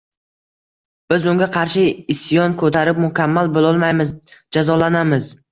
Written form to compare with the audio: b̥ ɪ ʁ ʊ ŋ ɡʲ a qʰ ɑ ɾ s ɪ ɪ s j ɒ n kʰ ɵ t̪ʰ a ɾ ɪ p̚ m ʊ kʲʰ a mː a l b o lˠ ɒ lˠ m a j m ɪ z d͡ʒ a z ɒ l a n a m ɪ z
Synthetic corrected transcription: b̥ ɪ z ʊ ŋ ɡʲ a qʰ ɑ ɾ ʃ ɪ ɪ s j ɒ n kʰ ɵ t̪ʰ a ɾ ɪ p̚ m ʊ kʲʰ a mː a l b o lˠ ɒ lˠ m a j m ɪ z d͡ʒ a z ɒ l a n a m ɪ z

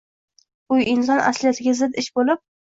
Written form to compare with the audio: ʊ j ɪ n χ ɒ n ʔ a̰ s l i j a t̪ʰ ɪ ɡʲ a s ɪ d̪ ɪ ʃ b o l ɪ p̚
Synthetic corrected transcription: ʊ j ɪ n s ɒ n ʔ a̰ s l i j a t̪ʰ ɪ ɡʲ a z ɪ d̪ ɪ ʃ b o l ɪ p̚

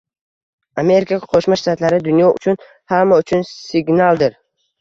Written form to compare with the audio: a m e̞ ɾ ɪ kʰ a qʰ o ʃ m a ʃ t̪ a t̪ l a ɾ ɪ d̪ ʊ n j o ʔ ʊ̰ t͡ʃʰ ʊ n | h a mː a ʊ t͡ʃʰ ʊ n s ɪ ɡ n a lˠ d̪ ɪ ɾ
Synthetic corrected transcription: a m e̞ ɾ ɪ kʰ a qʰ o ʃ m a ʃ t̪ a t̪ l a ɾ ɪ d̪ ʊ n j ɒ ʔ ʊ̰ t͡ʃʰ ʊ n | h a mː a ʊ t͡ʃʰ ʊ n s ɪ ɡ n a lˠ d̪ ɪ ɾ

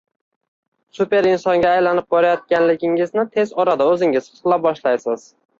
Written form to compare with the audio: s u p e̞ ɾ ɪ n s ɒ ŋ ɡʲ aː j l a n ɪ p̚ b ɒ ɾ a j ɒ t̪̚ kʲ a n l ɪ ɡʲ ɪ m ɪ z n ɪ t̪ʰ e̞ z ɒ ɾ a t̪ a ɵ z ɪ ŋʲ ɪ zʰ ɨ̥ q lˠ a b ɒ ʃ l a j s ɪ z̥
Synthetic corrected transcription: s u p e̞ ɾ ɪ n s ɒ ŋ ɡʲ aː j l a n ɪ p̚ b ɒ ɾ a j ɒ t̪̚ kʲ a n l ɪ ɡʲ ɪ ŋ ɪ z n ɪ t̪ʰ e̞ z ɒ ɾ a d̪ a ɵ z ɪ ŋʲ ɪ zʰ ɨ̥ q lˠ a b ɒ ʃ l a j s ɪ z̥

